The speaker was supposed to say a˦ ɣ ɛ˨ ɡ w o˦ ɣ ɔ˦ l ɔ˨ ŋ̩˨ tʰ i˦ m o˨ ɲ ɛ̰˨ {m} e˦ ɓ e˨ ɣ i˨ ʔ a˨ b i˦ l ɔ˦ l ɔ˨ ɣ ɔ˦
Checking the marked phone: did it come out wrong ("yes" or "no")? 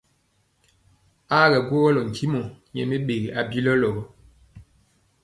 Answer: no